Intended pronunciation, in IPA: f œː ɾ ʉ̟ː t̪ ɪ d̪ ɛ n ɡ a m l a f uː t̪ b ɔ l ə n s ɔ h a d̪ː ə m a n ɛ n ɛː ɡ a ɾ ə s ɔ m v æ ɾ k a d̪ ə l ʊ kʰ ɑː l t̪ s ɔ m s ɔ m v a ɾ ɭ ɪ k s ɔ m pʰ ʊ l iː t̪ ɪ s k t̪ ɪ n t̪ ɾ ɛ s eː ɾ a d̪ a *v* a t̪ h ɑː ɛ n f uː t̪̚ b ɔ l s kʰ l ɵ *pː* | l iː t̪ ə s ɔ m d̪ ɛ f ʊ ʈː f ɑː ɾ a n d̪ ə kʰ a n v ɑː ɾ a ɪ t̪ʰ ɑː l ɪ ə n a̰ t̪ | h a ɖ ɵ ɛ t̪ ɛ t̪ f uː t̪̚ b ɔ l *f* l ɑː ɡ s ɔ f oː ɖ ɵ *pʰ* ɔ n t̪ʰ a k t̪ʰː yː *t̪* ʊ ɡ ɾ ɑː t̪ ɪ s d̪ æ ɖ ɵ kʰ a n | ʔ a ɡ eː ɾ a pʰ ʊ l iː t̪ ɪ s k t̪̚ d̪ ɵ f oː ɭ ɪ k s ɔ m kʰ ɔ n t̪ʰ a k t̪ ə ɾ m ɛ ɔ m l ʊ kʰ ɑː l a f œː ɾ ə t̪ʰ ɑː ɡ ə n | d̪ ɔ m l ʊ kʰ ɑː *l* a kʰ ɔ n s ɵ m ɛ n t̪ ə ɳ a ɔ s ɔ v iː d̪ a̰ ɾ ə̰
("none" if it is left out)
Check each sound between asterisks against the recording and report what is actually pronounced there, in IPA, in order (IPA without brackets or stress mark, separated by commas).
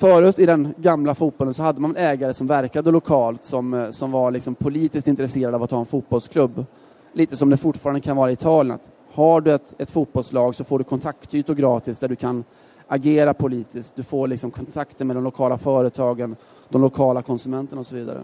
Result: v, bː, s, kʰ, t̪, l